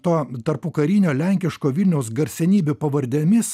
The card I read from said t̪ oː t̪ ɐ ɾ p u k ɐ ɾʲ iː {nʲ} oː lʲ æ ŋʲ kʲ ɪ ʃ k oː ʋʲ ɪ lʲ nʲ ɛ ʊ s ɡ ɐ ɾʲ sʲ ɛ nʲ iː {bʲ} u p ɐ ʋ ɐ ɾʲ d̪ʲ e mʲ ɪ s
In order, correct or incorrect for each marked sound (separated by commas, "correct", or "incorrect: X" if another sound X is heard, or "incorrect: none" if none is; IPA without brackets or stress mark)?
correct, correct